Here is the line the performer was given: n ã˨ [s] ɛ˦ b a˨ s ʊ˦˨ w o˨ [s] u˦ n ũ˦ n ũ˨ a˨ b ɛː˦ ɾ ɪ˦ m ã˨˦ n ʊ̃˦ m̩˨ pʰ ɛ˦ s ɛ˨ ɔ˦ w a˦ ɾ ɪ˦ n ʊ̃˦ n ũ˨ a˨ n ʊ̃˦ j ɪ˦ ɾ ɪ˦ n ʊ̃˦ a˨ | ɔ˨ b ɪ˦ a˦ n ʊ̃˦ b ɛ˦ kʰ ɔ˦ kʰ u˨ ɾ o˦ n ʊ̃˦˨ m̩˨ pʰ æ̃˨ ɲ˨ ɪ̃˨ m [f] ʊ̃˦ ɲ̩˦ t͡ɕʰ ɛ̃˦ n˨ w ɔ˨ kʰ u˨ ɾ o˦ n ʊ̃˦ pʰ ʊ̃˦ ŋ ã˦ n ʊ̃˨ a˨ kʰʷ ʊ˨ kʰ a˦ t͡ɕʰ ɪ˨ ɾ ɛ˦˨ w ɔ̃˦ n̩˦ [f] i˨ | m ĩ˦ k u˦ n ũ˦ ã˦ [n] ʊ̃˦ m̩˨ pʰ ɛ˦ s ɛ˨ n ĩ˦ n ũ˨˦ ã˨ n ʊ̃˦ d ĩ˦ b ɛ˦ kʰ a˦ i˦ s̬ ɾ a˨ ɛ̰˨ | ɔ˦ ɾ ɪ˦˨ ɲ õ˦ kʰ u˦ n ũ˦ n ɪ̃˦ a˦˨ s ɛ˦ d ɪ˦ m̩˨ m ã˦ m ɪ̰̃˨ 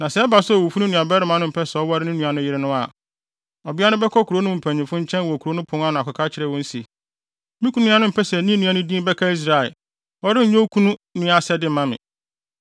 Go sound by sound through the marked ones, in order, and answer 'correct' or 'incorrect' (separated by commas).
correct, incorrect, correct, incorrect, correct